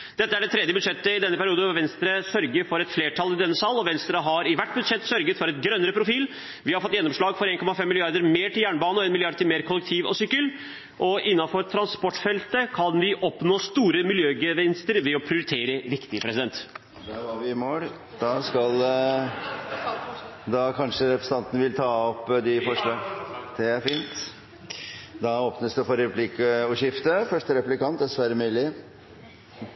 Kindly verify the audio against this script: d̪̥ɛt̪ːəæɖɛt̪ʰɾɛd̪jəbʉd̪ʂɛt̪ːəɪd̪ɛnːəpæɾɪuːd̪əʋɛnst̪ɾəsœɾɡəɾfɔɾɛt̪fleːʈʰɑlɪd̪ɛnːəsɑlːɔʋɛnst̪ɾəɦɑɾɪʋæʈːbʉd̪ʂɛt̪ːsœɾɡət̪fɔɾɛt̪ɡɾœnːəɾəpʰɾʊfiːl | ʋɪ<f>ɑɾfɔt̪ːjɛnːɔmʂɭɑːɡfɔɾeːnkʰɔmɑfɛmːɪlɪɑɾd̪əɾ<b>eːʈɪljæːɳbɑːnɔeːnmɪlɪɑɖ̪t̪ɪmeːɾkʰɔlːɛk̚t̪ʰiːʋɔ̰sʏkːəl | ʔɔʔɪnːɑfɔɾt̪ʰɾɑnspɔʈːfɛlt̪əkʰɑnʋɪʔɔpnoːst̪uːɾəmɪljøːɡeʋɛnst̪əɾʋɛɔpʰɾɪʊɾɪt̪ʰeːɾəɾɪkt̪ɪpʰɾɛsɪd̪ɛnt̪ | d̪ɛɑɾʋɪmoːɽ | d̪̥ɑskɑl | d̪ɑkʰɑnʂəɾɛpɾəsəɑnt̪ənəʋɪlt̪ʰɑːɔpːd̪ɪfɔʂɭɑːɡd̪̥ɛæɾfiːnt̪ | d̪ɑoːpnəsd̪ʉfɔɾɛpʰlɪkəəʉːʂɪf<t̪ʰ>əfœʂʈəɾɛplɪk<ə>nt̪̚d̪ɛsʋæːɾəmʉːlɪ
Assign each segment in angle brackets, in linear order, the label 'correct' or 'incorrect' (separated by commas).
incorrect, incorrect, incorrect, incorrect